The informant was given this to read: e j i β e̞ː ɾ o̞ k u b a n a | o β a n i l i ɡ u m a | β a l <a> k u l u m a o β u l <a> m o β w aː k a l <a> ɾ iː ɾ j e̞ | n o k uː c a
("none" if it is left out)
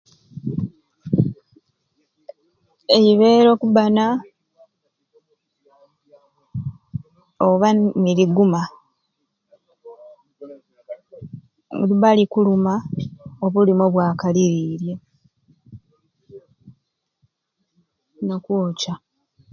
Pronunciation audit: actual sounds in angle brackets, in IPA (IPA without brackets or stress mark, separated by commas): i, i, i